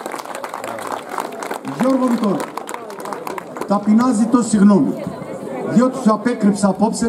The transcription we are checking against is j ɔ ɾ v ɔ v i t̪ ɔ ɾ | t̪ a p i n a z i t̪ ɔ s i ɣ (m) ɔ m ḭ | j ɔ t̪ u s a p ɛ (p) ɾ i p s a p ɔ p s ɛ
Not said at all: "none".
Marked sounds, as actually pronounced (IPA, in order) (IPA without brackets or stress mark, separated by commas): n, k